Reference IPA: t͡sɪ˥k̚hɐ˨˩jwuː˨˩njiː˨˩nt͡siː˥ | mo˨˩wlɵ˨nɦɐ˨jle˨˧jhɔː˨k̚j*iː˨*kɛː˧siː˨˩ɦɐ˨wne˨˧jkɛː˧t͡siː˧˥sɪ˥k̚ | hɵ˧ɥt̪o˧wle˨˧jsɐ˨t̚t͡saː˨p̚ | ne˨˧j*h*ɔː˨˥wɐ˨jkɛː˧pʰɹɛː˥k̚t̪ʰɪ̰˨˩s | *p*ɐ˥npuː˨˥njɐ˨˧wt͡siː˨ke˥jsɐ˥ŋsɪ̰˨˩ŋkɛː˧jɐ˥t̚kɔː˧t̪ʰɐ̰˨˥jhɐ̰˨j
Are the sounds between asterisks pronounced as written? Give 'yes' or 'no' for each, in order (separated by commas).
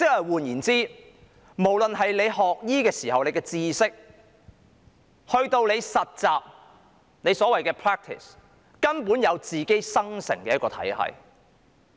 no, no, no